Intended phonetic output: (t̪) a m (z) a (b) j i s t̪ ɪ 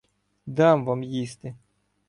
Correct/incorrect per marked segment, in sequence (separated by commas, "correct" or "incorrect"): incorrect, incorrect, incorrect